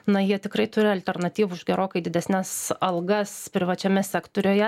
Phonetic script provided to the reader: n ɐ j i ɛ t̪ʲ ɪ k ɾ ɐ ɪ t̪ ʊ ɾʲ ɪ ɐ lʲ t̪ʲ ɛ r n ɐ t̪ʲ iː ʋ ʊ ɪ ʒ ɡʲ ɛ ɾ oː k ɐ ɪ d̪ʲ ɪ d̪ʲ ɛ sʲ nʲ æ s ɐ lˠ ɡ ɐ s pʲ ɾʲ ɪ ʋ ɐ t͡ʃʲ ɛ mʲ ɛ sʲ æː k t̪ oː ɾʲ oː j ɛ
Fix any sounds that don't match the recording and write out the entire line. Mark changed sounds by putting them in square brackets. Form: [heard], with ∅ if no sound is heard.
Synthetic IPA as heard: n ɐ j i ɛ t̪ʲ ɪ k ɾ ɐ ɪ t̪ ʊ ɾʲ ɪ ɐ lʲ t̪ʲ ɛ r n ɐ t̪ʲ iː ʋ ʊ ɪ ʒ ɡʲ ɛ ɾ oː k ɐ ɪ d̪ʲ ɪ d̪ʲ ɛ sʲ nʲ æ s ɐ lˠ ɡ ɐ s pʲ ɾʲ ɪ ʋ ɐ t͡ʃʲ ɛ mʲ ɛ sʲ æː k t̪ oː ɾʲ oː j ɛ

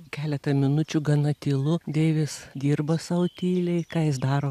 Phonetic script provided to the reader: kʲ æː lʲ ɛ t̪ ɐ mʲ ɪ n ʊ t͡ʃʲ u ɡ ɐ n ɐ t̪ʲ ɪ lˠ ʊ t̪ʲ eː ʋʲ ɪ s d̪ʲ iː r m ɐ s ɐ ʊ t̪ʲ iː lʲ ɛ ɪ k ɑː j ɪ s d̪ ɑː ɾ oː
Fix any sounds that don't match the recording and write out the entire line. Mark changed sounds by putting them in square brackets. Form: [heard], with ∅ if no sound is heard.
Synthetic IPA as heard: kʲ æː lʲ ɛ t̪ ɐ mʲ ɪ n ʊ t͡ʃʲ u ɡ ɐ n ɐ t̪ʲ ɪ lˠ ʊ [d̪ʲ] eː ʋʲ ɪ s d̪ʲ iː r [b] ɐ s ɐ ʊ t̪ʲ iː lʲ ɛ ɪ k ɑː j ɪ s d̪ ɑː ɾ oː

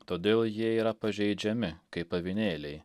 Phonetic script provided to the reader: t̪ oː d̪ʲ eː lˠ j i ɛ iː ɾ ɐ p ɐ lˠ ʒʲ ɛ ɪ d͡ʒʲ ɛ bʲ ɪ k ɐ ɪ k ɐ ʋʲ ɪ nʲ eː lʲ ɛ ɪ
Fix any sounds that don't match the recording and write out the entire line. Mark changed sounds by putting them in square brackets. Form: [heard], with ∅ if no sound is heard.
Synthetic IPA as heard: t̪ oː d̪ʲ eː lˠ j i ɛ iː ɾ ɐ p ɐ [∅] ʒʲ ɛ ɪ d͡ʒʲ ɛ [mʲ] ɪ k ɐ ɪ [p] ɐ ʋʲ ɪ nʲ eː lʲ ɛ ɪ

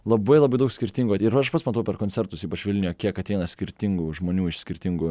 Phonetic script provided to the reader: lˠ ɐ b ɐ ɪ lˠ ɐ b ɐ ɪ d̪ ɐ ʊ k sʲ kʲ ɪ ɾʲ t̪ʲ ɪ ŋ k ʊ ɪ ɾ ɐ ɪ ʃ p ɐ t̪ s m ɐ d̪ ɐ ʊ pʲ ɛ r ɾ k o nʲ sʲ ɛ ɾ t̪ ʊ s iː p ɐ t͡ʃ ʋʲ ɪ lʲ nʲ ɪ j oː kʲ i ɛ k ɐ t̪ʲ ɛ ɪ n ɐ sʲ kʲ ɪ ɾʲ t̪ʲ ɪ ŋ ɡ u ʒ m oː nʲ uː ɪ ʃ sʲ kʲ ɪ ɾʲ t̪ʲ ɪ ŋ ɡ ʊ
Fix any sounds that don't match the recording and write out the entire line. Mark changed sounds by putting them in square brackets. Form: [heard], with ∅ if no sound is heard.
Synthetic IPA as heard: lˠ ɐ b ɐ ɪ lˠ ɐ b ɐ ɪ d̪ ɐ ʊ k sʲ kʲ ɪ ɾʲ t̪ʲ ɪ ŋ [ɡ] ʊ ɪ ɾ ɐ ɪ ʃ p ɐ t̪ s m ɐ [t̪] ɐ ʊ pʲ ɛ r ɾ k o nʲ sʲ ɛ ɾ t̪ ʊ s iː p ɐ t͡ʃ ʋʲ ɪ lʲ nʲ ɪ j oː kʲ i ɛ k ɐ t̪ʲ ɛ ɪ n ɐ sʲ kʲ ɪ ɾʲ t̪ʲ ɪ ŋ ɡ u ʒ m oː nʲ uː ɪ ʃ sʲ kʲ ɪ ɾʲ t̪ʲ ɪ ŋ ɡ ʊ

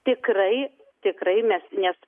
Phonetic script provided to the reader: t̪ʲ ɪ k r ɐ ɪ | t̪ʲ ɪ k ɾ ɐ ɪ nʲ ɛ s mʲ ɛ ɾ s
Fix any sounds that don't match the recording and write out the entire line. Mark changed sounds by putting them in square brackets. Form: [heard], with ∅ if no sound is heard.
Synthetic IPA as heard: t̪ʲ ɪ k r ɐ ɪ | t̪ʲ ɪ k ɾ ɐ ɪ [mʲ] ɛ s [nʲ] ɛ [∅] s

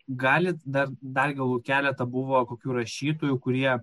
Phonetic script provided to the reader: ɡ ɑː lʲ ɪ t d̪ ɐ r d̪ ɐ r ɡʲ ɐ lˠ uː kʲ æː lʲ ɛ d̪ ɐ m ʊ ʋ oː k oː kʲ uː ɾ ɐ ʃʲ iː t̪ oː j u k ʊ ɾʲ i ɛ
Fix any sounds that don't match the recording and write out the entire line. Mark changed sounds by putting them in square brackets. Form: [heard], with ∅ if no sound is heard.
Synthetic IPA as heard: ɡ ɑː lʲ ɪ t d̪ ɐ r d̪ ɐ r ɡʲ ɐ lˠ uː kʲ æː lʲ ɛ [t̪] ɐ [b] ʊ ʋ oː k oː kʲ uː ɾ ɐ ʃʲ iː t̪ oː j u k ʊ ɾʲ i ɛ

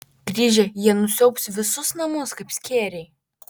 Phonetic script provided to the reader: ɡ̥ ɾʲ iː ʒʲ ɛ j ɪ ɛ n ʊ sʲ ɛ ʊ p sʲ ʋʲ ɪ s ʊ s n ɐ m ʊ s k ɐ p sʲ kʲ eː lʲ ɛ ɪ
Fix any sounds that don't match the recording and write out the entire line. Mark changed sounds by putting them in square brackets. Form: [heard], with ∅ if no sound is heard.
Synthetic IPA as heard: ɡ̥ ɾʲ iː ʒʲ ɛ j [i] ɛ n ʊ sʲ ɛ ʊ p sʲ ʋʲ ɪ s ʊ s n ɐ m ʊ s k ɐ p sʲ kʲ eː [ɾʲ] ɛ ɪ

